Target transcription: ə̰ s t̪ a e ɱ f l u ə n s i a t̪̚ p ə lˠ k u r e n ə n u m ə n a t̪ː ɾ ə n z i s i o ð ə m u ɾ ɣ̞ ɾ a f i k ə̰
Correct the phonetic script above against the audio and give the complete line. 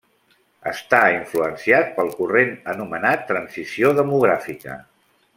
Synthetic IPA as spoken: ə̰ s t̪ a i ɱ f l u ə n s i a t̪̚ p ə lˠ k u r e n ə n u m ə n a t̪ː ɾ ə n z i s i o ð ə m u ɣ̞ ɾ a f i k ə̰